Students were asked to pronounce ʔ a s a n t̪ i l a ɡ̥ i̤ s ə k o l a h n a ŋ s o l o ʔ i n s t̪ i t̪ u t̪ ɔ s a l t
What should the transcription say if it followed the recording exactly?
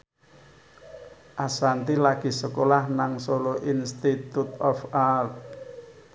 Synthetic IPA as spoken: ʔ a s a n t̪ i l a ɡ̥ i̤ s ə k o l a h n a ŋ s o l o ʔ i n s t̪ i t̪ u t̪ ɔ f a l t